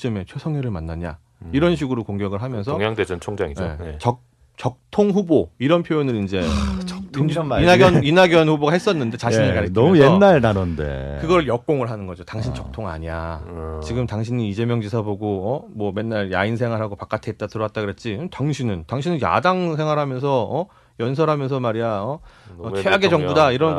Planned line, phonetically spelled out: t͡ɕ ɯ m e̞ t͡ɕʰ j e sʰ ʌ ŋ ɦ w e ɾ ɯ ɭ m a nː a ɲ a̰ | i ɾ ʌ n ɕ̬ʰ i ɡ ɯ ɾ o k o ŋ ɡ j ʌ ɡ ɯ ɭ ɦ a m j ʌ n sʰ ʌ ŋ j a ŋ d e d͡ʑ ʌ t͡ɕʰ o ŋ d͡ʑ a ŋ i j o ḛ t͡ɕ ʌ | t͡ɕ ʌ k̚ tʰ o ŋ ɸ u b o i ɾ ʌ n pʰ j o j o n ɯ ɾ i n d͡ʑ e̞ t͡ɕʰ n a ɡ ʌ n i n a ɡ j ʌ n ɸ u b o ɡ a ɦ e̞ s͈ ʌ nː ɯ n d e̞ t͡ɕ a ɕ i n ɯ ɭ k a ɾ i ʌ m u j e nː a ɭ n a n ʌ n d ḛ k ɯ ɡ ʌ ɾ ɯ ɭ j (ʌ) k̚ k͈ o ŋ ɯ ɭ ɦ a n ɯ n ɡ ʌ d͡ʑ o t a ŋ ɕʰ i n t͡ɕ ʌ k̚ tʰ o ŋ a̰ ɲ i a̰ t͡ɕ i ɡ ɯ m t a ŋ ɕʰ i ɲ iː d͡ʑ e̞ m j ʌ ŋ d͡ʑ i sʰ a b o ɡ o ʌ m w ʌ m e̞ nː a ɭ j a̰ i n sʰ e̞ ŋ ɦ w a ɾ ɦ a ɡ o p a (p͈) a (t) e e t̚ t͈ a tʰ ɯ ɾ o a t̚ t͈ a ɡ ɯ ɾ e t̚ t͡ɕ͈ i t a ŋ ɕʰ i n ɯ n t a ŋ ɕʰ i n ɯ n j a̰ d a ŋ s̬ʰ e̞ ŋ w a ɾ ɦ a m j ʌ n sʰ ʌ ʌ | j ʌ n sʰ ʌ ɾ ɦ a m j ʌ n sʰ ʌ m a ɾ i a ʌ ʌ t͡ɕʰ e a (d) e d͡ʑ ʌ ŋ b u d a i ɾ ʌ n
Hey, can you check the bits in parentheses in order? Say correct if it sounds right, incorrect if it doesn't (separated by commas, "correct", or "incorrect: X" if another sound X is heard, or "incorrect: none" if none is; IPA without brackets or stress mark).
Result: correct, incorrect: k͈, incorrect: tʰ, incorrect: ɡ